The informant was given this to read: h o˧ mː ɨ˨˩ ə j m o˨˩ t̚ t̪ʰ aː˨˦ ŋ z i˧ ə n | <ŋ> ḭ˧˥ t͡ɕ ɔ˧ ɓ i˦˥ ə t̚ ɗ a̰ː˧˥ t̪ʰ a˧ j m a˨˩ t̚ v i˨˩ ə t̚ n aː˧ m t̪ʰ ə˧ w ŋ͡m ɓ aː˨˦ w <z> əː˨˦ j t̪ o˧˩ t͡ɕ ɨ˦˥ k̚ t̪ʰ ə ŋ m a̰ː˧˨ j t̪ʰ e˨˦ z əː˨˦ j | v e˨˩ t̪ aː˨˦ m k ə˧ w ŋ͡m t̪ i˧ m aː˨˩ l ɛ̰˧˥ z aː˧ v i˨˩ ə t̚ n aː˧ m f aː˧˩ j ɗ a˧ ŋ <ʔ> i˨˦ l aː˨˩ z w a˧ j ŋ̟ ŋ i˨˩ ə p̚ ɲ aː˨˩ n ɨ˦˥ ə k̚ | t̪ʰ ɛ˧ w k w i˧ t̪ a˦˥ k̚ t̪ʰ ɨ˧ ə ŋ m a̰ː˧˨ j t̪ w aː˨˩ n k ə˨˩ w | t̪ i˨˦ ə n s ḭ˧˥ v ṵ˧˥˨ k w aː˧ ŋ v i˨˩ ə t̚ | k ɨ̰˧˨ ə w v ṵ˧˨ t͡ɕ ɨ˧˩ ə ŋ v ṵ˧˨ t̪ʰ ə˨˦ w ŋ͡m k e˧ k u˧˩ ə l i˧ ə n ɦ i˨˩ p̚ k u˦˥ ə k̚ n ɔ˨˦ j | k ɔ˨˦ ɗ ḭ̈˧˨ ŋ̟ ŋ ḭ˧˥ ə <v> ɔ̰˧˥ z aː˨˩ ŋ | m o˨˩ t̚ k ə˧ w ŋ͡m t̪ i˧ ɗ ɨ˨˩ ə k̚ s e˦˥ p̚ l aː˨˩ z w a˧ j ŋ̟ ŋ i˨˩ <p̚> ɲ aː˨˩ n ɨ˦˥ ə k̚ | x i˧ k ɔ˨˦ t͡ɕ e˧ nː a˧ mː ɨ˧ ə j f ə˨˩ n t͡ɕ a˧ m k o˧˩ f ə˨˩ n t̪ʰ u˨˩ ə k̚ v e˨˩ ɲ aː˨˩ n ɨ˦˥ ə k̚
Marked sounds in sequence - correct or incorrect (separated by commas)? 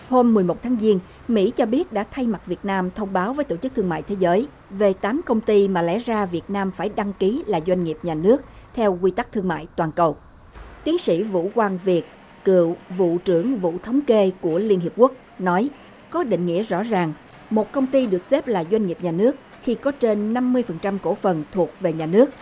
incorrect, incorrect, incorrect, incorrect, correct